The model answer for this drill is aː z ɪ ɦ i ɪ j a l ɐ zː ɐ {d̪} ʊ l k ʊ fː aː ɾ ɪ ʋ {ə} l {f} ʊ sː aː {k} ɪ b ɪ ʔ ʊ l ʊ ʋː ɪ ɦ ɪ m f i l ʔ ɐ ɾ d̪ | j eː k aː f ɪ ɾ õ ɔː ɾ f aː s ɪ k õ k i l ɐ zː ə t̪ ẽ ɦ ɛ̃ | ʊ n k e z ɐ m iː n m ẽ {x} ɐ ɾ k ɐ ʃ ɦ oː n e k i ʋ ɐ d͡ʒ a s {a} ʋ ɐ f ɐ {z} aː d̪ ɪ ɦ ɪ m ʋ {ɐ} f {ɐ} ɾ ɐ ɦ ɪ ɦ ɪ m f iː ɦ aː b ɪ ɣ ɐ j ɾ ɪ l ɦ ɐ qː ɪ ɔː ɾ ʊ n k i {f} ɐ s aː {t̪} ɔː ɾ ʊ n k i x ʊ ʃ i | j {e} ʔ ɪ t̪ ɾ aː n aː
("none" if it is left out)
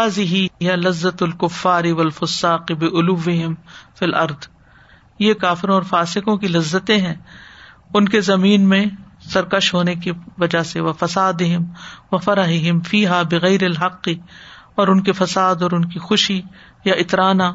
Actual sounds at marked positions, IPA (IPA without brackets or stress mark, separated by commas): t̪, ɐ, f, q, s, e, s, ɐ, ɐ, f, d̪, a